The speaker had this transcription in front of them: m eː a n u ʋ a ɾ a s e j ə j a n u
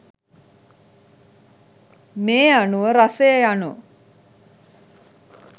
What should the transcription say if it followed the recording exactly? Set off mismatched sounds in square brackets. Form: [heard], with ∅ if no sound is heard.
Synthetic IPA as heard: m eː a n u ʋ [ə] ɾ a s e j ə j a n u